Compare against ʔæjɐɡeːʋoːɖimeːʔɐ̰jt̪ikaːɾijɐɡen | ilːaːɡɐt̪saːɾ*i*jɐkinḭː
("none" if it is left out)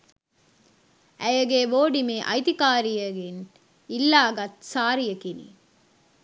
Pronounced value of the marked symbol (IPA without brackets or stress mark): i